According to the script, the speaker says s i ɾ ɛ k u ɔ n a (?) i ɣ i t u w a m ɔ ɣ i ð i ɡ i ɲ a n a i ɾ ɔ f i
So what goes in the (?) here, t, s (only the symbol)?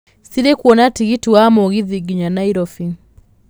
t